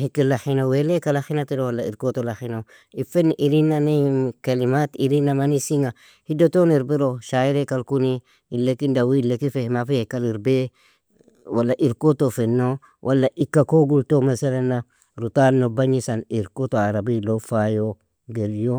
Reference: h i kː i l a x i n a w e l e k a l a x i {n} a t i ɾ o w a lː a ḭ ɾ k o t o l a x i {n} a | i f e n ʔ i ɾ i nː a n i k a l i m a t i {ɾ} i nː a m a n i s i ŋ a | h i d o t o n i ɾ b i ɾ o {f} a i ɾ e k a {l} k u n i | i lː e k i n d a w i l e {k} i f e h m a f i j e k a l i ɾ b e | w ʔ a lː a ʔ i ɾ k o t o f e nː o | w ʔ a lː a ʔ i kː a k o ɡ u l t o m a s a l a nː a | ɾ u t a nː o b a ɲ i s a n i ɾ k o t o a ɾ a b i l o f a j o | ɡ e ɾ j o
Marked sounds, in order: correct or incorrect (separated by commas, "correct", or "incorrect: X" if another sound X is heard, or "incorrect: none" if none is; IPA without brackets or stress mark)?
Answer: correct, correct, correct, incorrect: ʃ, correct, correct